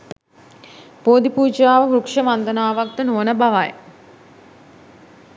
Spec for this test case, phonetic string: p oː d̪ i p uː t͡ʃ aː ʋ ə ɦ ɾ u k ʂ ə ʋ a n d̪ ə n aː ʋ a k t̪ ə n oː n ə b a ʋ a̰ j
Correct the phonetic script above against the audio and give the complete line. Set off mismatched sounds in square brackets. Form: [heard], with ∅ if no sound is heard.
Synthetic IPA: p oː d̪ i p uː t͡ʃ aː ʋ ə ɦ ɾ u k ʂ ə ʋ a n d̪ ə n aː ʋ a k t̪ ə n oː n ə b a ʋ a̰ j